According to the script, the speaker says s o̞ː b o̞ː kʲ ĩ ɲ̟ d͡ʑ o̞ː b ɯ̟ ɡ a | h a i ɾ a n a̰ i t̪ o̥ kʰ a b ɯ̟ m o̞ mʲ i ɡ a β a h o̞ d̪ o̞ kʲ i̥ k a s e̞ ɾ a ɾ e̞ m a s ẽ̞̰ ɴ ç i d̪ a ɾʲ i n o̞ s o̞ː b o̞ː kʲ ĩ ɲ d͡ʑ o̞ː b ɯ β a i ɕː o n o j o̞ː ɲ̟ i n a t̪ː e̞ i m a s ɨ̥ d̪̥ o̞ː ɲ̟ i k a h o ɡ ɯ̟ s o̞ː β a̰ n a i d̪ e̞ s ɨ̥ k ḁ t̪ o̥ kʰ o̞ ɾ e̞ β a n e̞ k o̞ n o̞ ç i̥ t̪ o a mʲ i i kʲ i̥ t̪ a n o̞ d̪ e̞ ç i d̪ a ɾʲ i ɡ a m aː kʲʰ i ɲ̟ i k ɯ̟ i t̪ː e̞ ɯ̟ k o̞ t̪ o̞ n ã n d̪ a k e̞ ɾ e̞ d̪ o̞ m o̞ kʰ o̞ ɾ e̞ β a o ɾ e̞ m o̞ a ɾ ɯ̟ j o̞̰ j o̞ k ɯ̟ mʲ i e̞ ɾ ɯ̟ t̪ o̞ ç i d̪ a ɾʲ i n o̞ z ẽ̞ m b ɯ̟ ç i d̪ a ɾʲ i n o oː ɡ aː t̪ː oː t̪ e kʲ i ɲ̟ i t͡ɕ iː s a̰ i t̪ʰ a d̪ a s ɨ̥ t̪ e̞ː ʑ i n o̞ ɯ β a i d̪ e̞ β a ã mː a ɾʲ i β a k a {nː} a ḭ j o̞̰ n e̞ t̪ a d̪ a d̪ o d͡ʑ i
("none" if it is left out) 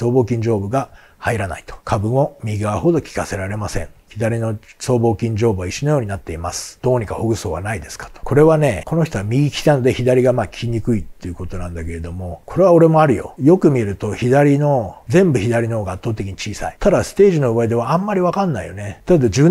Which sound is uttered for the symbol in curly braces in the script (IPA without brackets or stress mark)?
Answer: nː